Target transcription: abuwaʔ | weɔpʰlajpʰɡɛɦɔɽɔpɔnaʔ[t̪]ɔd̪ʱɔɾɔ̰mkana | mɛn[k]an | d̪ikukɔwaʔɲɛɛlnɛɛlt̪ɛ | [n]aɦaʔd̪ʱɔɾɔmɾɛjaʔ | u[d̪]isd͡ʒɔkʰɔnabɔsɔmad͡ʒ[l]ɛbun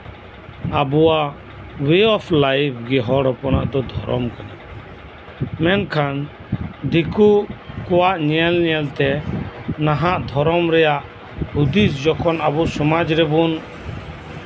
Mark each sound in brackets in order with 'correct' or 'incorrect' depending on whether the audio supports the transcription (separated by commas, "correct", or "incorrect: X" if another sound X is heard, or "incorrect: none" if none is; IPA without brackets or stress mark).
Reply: incorrect: d̪, incorrect: kʰ, correct, correct, incorrect: ɾ